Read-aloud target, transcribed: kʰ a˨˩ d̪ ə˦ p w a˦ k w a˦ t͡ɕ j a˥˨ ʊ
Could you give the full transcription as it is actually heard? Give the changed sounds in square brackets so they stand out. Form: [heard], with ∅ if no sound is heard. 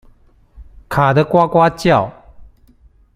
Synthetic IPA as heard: kʰ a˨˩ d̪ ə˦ [k] w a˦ k w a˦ t͡ɕ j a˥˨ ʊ

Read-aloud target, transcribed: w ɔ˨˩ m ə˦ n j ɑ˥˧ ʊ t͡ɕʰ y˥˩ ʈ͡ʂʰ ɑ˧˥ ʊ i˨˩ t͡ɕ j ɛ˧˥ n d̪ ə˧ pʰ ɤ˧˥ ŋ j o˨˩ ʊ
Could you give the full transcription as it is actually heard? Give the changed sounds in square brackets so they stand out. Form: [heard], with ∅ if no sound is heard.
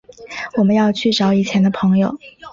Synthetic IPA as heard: w ɔ˨˩ m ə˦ n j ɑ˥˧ ʊ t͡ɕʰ y˥˩ [ʈ͡ʂ] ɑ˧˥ ʊ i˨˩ [t͡ɕʰ] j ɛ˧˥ n d̪ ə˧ pʰ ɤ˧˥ ŋ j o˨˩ ʊ

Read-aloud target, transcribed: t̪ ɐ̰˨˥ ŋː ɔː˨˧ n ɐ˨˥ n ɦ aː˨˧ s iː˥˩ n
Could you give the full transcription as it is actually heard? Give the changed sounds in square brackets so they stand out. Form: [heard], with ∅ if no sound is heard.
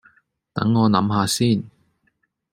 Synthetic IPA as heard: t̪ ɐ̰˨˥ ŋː ɔː˨˧ n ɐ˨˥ [m] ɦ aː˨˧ s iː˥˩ n

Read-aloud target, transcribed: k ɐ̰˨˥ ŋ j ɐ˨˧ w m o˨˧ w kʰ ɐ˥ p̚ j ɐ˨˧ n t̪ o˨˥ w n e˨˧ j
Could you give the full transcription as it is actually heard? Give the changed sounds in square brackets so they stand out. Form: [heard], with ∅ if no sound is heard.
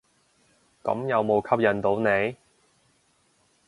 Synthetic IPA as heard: k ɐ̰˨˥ [m] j ɐ˨˧ w m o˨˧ w kʰ ɐ˥ p̚ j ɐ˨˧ n t̪ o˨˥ w n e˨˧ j

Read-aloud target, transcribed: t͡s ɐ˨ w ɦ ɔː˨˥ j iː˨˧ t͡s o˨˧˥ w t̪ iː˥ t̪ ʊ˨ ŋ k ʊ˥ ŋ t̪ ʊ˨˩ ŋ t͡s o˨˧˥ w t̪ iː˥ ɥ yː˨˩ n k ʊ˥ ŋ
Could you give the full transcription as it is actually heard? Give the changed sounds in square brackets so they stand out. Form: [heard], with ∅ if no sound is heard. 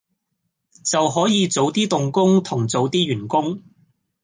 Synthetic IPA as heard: t͡s ɐ˨ w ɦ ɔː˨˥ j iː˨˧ t͡s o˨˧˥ w t̪ iː˥ t̪ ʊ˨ ŋ k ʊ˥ ŋ [t̪ʰ] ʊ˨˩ ŋ t͡s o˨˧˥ w t̪ iː˥ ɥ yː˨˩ n k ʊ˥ ŋ

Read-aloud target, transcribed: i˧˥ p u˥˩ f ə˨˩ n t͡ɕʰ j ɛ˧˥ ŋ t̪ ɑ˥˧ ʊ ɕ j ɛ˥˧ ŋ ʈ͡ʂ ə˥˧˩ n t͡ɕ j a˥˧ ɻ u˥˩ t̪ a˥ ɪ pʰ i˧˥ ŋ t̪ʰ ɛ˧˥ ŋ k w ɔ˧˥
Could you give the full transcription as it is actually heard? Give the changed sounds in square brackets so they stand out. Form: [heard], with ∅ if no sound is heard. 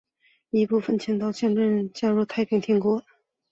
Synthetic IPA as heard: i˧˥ p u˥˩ f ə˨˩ n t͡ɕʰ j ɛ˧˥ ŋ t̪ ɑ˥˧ ʊ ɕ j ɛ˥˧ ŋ ʈ͡ʂ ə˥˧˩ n t͡ɕ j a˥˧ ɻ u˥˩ [t̪ʰ] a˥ ɪ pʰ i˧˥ ŋ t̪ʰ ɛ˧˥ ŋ k w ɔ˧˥

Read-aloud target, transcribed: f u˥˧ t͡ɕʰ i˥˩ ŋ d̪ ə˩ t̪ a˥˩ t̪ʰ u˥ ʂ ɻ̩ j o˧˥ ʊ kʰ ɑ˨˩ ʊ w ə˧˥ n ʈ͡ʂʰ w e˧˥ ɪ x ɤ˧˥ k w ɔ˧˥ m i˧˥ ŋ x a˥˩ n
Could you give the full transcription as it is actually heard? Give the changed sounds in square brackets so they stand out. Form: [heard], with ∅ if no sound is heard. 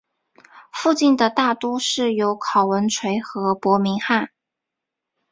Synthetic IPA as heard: f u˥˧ [t͡ɕ] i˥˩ [n] d̪ ə˩ t̪ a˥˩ [t̪] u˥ ʂ ɻ̩ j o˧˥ ʊ kʰ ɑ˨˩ ʊ w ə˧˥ n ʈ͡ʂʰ w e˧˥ ɪ x ɤ˧˥ [p] w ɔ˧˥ m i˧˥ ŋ x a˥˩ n

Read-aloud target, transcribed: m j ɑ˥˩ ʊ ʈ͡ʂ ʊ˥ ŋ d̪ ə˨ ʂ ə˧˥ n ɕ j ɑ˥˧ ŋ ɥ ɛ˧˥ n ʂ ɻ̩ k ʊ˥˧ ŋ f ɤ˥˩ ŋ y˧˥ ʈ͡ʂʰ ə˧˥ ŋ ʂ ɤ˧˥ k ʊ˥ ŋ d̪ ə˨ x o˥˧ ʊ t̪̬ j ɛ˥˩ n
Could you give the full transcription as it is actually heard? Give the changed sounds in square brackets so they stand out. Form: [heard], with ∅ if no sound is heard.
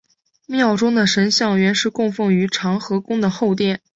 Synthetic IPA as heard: m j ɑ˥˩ ʊ ʈ͡ʂ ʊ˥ ŋ d̪ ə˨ ʂ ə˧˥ n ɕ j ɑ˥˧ ŋ ɥ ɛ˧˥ n ʂ ɻ̩ k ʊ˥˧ ŋ f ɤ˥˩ ŋ y˧˥ ʈ͡ʂʰ [ɑ˧˥] ŋ [x] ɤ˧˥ k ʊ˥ ŋ d̪ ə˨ x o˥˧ ʊ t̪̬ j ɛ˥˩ n

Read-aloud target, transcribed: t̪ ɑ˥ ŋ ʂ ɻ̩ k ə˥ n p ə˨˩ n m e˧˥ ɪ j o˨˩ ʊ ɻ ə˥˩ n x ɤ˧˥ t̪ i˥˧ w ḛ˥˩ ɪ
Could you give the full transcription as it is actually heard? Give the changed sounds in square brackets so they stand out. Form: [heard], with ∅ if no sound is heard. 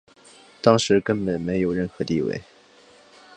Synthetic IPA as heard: t̪ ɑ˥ ŋ ʂ ɻ̩ k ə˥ n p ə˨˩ n m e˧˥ ɪ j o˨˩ ʊ ɻ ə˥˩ n x ɤ˧˥ t̪ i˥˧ w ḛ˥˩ ɪ

